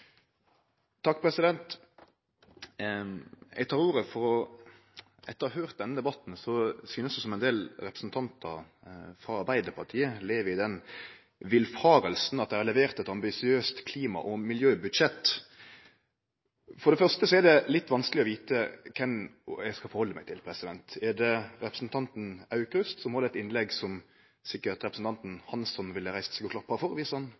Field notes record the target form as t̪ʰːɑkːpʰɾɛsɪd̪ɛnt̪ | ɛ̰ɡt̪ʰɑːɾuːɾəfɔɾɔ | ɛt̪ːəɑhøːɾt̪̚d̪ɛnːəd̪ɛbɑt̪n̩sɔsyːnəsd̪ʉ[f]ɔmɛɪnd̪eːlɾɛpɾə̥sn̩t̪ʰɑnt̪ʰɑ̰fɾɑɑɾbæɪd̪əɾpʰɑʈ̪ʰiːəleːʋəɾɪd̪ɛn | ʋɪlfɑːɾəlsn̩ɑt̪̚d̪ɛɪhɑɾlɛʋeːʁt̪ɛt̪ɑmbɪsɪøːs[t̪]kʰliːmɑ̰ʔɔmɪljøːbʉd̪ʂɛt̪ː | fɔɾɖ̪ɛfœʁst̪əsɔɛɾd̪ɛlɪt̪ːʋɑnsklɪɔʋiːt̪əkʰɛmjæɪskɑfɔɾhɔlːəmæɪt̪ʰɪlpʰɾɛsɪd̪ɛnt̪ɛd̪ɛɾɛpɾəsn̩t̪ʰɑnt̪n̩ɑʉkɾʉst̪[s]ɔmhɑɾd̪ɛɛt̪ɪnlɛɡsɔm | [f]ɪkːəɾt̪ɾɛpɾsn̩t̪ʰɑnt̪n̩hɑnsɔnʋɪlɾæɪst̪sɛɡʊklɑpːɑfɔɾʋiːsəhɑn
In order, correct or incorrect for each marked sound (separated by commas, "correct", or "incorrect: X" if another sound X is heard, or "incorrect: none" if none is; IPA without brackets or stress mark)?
incorrect: s, correct, correct, incorrect: s